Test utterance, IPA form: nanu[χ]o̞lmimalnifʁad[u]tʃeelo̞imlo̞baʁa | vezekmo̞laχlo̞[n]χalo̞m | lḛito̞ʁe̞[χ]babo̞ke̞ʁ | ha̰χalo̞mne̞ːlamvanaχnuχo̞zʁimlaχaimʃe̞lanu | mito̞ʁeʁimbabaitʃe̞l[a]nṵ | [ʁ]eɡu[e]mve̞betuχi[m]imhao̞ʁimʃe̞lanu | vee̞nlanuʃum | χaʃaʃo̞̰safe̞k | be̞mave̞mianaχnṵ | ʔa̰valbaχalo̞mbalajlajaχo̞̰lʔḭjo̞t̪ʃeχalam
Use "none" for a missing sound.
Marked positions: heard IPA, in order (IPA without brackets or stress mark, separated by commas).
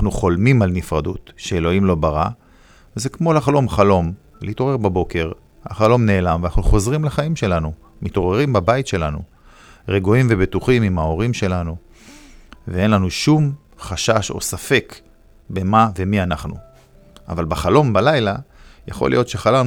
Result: χ, u, m, ʁ, a, ʁ, i, m